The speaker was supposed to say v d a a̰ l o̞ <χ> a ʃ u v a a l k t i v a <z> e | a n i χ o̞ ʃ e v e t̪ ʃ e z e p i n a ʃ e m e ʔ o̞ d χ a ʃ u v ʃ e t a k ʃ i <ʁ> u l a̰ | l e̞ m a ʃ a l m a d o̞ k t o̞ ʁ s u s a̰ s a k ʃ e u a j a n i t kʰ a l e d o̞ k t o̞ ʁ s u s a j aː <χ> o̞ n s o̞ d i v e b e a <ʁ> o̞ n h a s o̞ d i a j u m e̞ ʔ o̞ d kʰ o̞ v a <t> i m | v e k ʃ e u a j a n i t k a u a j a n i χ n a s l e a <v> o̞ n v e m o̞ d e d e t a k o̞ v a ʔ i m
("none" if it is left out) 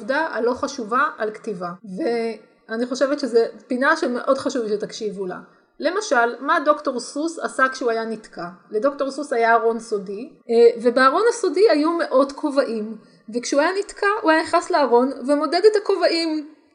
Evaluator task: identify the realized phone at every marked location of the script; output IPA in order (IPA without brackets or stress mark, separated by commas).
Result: χ, v, v, ʁ, ʁ, ʔ, ʁ